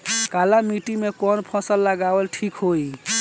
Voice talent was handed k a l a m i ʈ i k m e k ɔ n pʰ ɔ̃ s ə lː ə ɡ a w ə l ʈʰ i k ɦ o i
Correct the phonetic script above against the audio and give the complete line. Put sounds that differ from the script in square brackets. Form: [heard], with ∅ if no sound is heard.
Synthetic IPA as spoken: k a l a m i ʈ i [∅] m e k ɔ n pʰ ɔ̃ s ə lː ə ɡ a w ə l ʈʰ i k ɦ o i